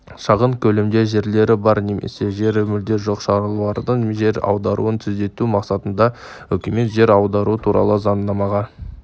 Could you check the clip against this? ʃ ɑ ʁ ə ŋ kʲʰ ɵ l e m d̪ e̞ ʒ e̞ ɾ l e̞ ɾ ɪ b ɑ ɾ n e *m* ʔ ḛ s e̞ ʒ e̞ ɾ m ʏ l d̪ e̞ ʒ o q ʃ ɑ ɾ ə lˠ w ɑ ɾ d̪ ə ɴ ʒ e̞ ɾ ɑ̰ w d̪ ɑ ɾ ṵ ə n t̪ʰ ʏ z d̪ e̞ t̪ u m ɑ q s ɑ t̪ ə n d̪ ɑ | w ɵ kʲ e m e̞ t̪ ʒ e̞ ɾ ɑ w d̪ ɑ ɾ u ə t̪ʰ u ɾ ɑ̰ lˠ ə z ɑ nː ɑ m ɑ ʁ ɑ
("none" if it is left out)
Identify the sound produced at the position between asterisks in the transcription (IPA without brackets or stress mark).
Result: m